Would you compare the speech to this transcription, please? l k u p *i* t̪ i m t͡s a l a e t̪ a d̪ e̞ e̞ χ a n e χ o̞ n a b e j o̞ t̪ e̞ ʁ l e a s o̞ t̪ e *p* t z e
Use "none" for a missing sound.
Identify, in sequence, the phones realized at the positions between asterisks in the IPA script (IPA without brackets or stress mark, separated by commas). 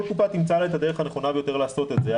a, none